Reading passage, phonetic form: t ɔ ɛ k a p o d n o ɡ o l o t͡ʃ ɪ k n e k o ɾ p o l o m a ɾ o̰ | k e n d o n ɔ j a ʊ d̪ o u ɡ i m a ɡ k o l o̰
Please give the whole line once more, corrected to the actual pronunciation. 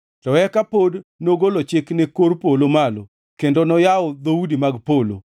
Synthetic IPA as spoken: t ɔ ɛ k a p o d n o ɡ o l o t͡ʃ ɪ k n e k o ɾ p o l o m a l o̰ | k e n d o n ɔ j a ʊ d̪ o u d i m a ɡ p o l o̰